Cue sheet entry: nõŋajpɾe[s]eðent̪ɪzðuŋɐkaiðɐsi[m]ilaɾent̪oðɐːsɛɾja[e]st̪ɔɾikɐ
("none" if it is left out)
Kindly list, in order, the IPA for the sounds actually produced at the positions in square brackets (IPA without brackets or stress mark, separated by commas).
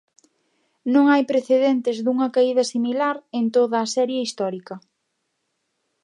θ, m, i